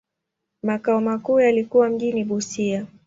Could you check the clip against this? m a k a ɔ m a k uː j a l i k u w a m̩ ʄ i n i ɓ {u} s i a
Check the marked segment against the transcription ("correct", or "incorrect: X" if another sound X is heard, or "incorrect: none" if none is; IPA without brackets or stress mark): correct